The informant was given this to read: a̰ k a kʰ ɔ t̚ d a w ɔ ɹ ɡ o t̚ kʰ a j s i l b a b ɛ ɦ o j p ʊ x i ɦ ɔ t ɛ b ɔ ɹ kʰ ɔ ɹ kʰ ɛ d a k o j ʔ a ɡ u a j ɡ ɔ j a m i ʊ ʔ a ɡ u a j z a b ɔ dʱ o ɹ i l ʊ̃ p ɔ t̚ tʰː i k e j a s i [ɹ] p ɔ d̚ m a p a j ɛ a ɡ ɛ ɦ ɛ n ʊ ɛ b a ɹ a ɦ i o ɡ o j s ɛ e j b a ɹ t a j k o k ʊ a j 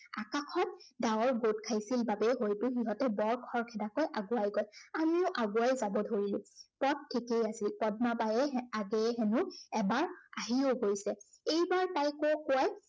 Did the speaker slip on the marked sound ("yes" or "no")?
yes